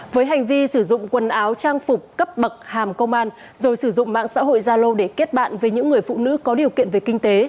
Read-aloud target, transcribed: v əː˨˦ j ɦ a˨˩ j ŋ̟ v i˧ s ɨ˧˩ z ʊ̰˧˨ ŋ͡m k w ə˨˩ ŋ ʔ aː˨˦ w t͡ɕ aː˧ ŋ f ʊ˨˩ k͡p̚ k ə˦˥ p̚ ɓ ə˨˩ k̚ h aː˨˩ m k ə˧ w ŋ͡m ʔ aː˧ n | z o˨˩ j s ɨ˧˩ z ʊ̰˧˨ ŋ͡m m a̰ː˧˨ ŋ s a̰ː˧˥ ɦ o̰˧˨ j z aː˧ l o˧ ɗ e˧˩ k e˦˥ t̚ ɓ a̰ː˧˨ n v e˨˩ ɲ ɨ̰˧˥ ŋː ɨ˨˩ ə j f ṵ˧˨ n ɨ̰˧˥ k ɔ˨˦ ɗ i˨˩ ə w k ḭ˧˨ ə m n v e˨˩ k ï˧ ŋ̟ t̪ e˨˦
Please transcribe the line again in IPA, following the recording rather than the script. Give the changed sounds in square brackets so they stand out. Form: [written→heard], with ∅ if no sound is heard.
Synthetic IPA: v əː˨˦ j ɦ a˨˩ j ŋ̟ v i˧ s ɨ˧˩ z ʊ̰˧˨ ŋ͡m k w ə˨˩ [ŋ→n] ʔ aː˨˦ w t͡ɕ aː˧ ŋ f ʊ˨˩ k͡p̚ k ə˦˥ p̚ ɓ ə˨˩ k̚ h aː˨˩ m k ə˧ w ŋ͡m ʔ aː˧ n | z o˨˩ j s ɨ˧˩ z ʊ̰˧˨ ŋ͡m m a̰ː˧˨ ŋ s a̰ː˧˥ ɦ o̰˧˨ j z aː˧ l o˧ ɗ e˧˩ k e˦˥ t̚ ɓ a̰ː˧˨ n v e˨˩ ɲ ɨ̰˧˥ ŋː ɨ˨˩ ə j f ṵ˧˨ n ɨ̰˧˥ k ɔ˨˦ ɗ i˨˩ ə w k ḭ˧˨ ə [m→∅] n v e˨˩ k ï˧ ŋ̟ t̪ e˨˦

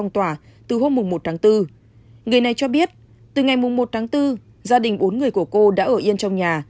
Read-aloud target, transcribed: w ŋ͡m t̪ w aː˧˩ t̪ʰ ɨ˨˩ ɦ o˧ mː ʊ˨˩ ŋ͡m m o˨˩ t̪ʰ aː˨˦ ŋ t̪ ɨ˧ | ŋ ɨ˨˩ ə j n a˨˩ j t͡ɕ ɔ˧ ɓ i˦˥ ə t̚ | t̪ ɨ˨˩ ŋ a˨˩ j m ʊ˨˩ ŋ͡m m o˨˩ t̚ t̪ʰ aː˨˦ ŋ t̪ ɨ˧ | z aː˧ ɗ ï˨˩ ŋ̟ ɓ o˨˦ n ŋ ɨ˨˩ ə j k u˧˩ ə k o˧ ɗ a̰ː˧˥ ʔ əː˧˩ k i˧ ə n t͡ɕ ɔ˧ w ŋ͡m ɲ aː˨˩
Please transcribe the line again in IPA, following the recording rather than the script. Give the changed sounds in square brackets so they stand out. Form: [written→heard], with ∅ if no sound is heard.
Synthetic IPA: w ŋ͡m t̪ w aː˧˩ [t̪ʰ→t̪] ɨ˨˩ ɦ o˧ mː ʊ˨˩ ŋ͡m m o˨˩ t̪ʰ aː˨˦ ŋ t̪ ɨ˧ | ŋ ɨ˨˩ ə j n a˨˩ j t͡ɕ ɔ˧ ɓ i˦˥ ə t̚ | t̪ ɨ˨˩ ŋ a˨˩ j m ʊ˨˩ ŋ͡m m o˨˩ t̚ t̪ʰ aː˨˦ ŋ t̪ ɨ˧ | z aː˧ ɗ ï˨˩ ŋ̟ ɓ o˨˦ n ŋ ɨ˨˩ ə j k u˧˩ ə k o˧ ɗ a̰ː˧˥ ʔ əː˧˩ [k→ʔ] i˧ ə n t͡ɕ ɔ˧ w ŋ͡m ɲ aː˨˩

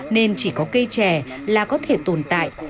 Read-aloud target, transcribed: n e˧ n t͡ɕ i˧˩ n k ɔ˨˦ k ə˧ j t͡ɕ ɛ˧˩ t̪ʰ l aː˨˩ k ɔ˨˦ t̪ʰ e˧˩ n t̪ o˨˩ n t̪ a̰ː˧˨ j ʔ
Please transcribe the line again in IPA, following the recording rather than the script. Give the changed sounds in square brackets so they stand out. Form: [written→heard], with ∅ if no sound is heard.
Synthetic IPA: n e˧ n t͡ɕ i˧˩ [n→∅] k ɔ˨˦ k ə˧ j t͡ɕ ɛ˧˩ [t̪ʰ→∅] l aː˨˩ k ɔ˨˦ t̪ʰ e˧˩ [n→∅] t̪ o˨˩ n t̪ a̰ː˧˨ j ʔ

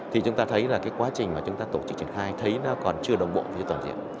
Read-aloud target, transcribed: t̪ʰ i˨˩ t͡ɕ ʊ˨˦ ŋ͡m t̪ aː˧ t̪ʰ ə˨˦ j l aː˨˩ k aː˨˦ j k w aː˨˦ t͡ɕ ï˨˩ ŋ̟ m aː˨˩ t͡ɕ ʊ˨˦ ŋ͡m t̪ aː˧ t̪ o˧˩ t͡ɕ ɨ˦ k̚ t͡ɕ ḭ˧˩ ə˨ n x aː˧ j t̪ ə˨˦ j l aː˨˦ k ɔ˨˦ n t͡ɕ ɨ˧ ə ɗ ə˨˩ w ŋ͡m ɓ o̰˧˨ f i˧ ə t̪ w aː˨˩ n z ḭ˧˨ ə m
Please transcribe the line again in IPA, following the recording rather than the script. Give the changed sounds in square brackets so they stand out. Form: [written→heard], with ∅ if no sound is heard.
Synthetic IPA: t̪ʰ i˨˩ t͡ɕ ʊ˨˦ ŋ͡m t̪ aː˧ t̪ʰ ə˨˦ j l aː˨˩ k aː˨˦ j k w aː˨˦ t͡ɕ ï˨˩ ŋ̟ m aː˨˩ t͡ɕ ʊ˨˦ ŋ͡m t̪ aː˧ t̪ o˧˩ t͡ɕ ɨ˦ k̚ t͡ɕ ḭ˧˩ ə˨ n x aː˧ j [t̪→t̪ʰ] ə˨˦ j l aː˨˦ k [ɔ˨˦→ɔ˨˩] n t͡ɕ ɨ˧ ə ɗ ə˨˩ w ŋ͡m ɓ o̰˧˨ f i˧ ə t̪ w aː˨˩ n z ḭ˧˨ ə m

